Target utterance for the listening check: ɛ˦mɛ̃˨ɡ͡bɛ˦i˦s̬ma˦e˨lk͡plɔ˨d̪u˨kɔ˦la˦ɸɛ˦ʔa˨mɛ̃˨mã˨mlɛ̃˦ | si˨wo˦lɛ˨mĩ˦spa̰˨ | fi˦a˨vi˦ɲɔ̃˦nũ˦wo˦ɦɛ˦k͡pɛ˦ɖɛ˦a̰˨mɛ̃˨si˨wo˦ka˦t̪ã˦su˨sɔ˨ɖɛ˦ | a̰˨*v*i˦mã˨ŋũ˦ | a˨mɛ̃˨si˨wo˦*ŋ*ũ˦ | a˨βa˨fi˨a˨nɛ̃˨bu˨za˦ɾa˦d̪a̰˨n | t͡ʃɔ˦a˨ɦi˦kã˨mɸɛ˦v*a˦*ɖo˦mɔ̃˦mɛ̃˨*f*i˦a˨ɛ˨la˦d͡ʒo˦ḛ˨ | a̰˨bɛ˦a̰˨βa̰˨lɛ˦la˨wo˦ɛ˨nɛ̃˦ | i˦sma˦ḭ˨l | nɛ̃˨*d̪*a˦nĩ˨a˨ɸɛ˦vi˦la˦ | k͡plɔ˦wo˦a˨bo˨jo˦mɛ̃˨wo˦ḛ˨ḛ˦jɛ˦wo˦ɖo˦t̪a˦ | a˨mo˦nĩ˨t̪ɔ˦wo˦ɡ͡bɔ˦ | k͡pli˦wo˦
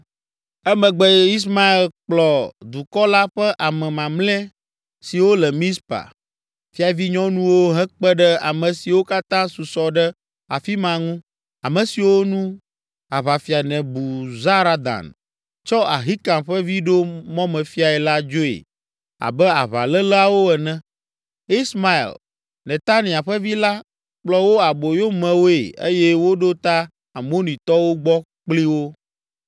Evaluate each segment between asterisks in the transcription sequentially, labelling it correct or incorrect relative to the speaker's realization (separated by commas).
incorrect, incorrect, incorrect, correct, incorrect